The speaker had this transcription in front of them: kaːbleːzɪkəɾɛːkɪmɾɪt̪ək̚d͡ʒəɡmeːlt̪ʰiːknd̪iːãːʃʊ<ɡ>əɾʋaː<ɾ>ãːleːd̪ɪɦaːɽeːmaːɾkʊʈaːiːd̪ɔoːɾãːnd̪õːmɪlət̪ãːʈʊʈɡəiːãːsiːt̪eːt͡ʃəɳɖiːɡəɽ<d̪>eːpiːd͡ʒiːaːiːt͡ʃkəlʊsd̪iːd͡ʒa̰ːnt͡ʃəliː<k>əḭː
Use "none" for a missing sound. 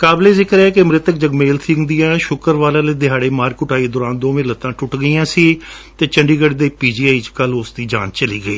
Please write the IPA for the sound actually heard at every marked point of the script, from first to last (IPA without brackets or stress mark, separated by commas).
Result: k, l, d̪, ɡ